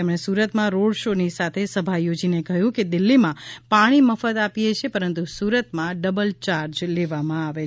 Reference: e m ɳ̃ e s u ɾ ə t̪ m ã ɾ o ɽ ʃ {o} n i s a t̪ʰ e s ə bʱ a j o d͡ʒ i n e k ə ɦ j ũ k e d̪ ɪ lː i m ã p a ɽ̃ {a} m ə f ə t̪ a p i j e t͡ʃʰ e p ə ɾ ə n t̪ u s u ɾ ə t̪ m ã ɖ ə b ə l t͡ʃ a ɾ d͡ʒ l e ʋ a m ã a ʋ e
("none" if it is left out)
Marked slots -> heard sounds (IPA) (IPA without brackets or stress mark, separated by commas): o, i